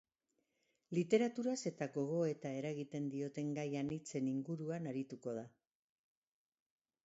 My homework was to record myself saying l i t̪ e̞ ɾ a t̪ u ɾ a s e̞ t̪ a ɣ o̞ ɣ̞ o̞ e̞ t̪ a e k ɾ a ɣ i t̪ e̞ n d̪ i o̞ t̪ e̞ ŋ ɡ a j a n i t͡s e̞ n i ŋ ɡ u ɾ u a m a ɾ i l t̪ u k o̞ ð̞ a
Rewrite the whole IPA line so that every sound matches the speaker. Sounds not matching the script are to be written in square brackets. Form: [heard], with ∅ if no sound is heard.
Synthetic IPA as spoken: l i t̪ e̞ ɾ a t̪ u ɾ a s e̞ t̪ a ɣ o̞ ɣ̞ o̞ e̞ t̪ a e [∅] ɾ a ɣ i t̪ e̞ n d̪ i o̞ t̪ e̞ ŋ ɡ a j a n i t͡s e̞ n i ŋ ɡ u ɾ u a [n] a ɾ i [∅] t̪ u k o̞ ð̞ a